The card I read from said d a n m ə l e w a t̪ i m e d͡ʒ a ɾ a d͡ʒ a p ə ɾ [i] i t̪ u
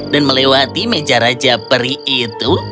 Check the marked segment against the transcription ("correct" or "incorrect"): correct